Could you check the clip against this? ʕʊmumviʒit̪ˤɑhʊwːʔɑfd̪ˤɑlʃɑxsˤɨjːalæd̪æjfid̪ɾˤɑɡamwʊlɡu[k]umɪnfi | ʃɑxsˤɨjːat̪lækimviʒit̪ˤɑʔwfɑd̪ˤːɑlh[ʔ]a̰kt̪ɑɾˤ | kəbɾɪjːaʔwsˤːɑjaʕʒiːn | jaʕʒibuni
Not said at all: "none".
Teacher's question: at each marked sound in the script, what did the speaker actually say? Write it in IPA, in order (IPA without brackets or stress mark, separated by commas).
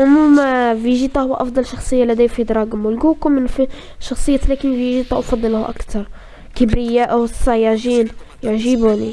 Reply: k, ʔ